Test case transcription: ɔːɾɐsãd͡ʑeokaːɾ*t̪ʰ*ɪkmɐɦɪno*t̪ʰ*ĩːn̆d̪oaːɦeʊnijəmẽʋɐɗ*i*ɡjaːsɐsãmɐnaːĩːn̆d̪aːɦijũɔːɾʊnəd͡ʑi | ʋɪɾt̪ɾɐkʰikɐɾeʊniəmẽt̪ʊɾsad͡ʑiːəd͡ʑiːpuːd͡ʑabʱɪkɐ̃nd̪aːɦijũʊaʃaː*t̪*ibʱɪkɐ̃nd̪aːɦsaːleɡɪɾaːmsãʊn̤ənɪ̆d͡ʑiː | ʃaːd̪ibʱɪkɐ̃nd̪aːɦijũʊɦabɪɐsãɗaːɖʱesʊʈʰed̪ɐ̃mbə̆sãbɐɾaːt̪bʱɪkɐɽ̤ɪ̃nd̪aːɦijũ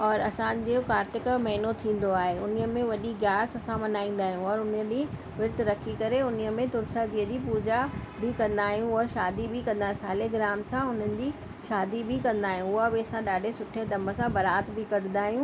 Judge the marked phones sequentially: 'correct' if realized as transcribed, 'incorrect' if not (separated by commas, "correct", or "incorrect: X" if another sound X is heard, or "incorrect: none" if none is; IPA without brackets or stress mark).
incorrect: t̪, correct, correct, incorrect: d̪